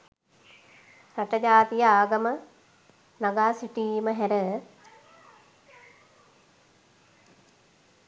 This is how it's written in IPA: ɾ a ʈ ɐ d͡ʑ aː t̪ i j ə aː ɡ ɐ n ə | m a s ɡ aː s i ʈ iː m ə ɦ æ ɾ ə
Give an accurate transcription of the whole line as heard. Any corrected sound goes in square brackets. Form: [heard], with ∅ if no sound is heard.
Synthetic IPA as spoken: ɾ a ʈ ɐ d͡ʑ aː t̪ i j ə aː ɡ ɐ [m] ə | [n] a [∅] ɡ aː s i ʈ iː m ə ɦ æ ɾ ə